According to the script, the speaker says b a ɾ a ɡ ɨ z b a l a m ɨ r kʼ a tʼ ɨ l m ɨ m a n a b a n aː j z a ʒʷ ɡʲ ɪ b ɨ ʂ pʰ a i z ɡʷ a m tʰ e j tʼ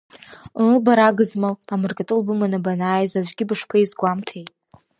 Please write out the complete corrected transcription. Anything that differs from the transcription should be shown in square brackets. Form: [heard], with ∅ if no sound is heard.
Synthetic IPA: b a ɾ a ɡ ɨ z [m] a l a m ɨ r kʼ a tʼ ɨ l [b] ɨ m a n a b a n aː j z a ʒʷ ɡʲ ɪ b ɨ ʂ pʰ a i z ɡʷ a m tʰ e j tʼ

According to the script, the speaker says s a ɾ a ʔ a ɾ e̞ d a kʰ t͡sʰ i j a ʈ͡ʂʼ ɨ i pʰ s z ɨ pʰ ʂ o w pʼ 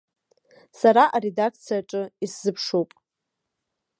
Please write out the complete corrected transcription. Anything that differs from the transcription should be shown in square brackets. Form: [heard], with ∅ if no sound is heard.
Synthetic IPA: s a ɾ a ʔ a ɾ e̞ d a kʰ t͡sʰ i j a ʈ͡ʂʼ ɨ i [∅] s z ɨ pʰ ʂ o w pʼ

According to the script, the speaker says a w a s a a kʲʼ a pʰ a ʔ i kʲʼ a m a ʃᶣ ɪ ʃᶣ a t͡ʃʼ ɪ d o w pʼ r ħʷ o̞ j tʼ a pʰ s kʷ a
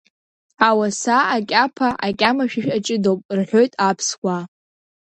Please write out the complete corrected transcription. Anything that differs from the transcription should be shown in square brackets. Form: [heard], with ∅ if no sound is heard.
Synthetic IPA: a w a s a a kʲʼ a pʰ a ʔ [a] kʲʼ a m a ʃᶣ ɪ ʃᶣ a t͡ʃʼ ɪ d o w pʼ r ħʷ o̞ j tʼ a pʰ s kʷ a

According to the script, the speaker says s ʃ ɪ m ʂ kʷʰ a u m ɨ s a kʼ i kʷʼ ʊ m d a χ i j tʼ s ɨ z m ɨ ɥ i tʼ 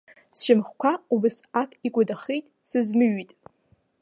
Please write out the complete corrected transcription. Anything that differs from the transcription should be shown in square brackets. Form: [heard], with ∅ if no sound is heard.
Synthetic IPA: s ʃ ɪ m [χ] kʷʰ a u [b] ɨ s a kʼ i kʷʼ ʊ [∅] d a χ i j tʼ s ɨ z m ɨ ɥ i tʼ

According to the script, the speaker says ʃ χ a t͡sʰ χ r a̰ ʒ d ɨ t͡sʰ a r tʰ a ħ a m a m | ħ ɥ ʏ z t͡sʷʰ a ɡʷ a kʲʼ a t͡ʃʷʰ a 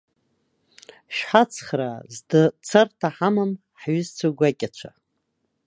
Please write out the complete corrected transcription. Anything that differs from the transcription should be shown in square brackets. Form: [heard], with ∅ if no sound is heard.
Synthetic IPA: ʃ [ħ] a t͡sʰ χ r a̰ [z] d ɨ t͡sʰ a r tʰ a ħ a m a m | ħ ɥ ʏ z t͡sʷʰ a ɡʷ a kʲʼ a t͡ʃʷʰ a

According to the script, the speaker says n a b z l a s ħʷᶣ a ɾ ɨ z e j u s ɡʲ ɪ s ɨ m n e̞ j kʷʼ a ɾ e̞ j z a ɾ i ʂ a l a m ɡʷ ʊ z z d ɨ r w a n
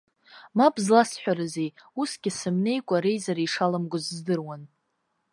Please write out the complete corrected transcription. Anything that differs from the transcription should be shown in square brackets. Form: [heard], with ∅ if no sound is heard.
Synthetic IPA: [m] a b z l a s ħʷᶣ a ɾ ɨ z e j u s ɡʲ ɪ s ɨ m n e̞ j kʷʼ a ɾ e̞ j z a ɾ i ʂ a l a m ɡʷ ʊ z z d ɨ r w a n

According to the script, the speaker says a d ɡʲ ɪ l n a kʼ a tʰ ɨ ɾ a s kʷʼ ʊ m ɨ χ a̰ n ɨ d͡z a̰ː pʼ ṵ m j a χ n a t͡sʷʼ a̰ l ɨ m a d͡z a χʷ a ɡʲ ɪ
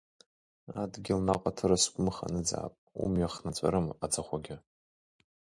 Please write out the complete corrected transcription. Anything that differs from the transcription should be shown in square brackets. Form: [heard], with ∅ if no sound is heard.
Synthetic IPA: a d ɡʲ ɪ l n a [qʼ] a tʰ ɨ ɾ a s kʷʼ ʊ m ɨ χ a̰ n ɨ d͡z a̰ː pʼ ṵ m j a χ n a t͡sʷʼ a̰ [ɾ] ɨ m a d͡z a χʷ a ɡʲ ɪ

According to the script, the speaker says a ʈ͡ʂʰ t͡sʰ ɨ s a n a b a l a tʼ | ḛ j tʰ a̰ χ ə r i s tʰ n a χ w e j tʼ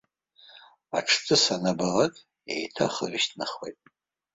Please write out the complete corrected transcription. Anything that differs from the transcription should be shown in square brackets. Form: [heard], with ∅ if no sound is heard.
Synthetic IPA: a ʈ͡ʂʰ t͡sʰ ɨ s a n a b a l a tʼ | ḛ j tʰ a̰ χ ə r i [ʃ] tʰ n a χ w e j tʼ

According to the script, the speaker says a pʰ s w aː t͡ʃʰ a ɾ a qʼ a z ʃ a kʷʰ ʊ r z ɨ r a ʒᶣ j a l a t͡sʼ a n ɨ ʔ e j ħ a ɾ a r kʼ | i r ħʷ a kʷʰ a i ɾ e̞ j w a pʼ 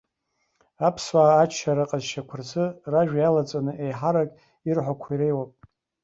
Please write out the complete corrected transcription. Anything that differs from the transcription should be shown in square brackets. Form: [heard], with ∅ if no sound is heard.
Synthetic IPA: a pʰ s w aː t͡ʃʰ a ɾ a qʼ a z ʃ a kʷʰ ʊ r z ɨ r a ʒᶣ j a l a t͡sʼ a n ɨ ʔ e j ħ a ɾ a [∅] kʼ | i r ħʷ a kʷʰ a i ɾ e̞ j w a pʼ

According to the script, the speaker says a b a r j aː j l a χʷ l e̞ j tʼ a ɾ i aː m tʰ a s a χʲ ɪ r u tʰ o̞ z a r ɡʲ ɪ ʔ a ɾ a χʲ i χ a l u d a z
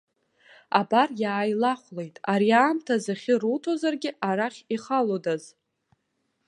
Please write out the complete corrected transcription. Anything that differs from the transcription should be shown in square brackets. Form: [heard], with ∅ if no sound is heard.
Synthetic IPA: a b a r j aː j l a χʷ l e̞ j tʼ a ɾ i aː m tʰ a [z] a χʲ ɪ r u tʰ o̞ z a r ɡʲ ɪ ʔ a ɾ a χʲ i χ a l [o] d a z

